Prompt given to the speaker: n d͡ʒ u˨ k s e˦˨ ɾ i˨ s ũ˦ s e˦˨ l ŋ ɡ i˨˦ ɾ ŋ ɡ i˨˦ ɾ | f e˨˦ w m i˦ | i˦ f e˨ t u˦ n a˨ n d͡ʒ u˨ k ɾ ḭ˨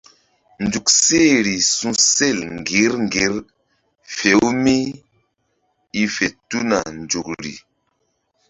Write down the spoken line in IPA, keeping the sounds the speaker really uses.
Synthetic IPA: n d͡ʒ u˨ k s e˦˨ ɾ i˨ s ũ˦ s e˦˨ l ŋ ɡ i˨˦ ɾ ŋ ɡ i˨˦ ɾ | f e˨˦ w m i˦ | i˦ f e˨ t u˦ n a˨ n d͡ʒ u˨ k ɾ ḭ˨